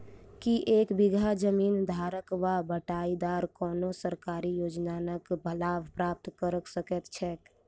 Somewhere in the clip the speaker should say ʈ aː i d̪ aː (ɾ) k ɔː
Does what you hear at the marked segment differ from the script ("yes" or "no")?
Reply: no